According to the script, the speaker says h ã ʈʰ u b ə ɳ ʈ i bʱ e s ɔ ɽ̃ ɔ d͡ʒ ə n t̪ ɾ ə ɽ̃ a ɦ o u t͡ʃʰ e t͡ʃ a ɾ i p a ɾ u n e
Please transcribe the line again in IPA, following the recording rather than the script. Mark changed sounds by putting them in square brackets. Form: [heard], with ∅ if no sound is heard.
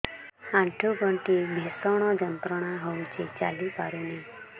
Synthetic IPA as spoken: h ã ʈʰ u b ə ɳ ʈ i bʱ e s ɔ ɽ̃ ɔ d͡ʒ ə n t̪ ɾ ə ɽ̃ a ɦ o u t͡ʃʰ e t͡ʃ a [l] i p a ɾ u n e